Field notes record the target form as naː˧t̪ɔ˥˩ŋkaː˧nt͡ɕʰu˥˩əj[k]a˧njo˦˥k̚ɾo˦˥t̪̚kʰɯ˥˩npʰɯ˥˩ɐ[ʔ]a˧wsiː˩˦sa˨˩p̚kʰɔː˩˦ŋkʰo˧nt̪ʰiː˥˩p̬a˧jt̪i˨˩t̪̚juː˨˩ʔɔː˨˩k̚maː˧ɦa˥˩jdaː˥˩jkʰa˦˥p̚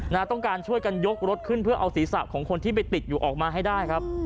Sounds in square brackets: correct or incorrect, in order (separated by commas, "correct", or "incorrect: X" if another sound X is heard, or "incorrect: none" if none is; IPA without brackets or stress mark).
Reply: correct, correct